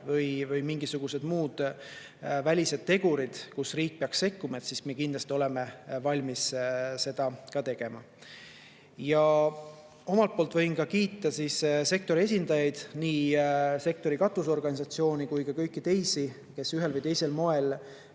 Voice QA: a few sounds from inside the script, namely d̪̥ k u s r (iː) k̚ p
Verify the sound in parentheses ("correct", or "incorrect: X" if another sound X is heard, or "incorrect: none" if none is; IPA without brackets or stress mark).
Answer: correct